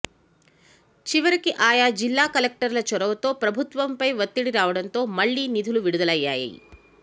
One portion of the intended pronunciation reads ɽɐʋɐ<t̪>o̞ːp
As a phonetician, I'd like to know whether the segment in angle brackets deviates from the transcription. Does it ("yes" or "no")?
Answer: no